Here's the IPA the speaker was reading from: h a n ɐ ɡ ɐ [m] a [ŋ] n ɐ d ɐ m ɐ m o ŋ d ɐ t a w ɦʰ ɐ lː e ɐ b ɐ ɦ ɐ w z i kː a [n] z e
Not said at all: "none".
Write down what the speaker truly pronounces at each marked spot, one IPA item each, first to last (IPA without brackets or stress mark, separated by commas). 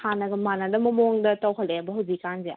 m, none, n